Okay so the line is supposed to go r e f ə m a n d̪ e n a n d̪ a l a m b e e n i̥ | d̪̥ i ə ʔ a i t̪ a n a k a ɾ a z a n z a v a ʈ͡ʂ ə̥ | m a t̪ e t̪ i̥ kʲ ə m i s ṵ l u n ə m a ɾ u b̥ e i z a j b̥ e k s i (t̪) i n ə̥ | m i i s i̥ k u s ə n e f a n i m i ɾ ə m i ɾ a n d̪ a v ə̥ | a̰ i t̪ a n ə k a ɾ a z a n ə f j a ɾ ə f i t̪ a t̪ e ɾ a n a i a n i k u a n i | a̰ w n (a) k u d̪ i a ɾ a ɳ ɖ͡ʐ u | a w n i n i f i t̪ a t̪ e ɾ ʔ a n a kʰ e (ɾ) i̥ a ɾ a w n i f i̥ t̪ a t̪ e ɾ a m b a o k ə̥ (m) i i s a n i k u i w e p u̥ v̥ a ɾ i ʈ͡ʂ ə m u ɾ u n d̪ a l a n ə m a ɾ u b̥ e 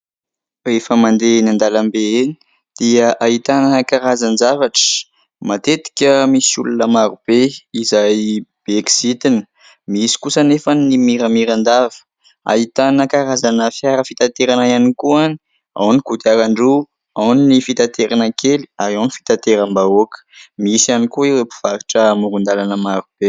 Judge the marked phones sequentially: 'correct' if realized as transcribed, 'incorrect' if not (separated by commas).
correct, incorrect, incorrect, correct